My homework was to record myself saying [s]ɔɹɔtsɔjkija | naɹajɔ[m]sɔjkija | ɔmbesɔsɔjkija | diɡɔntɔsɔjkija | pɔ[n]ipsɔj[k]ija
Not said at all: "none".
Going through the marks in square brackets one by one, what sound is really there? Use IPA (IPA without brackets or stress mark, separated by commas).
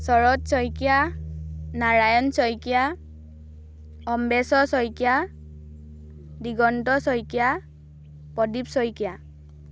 s, n, d, k